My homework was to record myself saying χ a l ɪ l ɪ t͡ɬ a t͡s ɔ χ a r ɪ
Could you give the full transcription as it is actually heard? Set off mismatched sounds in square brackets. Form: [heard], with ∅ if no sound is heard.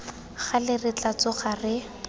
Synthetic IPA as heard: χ a l ɪ [r] ɪ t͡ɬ a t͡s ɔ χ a r ɪ